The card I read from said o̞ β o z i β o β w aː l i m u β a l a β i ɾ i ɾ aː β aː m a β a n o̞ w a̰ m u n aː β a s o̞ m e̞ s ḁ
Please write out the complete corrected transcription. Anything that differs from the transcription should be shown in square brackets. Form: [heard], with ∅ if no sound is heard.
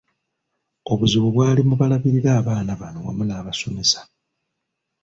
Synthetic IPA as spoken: o̞ β [u] z i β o β w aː l i m u β a l a β i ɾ i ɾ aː β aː [n] a β a n o̞ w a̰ m u n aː β a s o̞ m e̞ s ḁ